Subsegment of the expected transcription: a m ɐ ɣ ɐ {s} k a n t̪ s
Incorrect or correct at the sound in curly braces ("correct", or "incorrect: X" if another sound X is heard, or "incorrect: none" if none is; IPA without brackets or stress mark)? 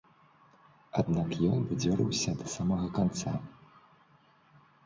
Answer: incorrect: none